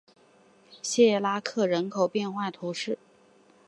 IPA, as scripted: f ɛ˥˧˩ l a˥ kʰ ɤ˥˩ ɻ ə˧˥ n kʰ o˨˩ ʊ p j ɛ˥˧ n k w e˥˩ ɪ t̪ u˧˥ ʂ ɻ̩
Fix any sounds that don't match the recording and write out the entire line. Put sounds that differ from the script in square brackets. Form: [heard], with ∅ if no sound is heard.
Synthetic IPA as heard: [ɕ] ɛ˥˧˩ l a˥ kʰ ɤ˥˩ ɻ ə˧˥ n kʰ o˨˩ ʊ p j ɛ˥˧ n [x] w [a˥˩] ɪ [t̪ʰ] u˧˥ ʂ ɻ̩

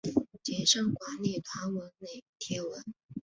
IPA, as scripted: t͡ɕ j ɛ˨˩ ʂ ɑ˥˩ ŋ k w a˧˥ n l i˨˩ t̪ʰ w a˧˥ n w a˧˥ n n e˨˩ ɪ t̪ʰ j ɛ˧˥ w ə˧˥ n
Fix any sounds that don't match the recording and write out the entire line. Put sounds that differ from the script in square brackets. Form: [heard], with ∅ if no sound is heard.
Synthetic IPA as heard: t͡ɕ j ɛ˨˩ ʂ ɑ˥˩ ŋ k w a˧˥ n l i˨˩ t̪ʰ w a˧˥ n w [ə˧˥] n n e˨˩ ɪ t̪ʰ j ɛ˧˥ w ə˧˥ n

